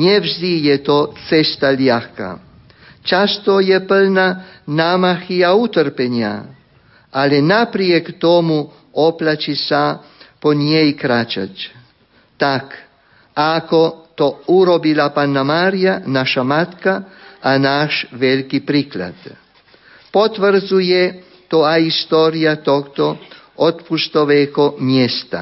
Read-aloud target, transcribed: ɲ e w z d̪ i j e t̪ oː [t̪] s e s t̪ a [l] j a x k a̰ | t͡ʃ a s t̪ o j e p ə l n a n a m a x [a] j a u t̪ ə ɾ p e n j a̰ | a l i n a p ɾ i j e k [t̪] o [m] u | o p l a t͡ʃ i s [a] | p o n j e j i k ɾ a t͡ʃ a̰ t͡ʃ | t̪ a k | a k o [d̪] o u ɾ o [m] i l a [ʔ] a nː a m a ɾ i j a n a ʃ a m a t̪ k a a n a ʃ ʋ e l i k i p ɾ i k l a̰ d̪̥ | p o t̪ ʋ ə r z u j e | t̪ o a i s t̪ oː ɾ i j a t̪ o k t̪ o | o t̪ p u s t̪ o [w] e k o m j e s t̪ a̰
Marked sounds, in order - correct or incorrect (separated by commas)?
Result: correct, correct, incorrect, correct, correct, correct, incorrect, incorrect, incorrect, incorrect